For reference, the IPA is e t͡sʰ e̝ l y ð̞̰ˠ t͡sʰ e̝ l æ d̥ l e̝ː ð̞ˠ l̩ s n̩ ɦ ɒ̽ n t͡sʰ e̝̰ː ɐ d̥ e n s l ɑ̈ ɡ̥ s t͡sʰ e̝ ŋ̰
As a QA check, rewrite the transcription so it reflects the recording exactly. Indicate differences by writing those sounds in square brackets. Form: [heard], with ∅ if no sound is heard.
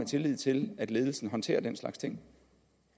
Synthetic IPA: e t͡sʰ e̝ l [i] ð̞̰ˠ t͡sʰ e̝ l æ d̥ l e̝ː ð̞ˠ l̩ s n̩ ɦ ɒ̽ n t͡sʰ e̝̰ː ɐ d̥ e n s l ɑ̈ ɡ̥ s t͡sʰ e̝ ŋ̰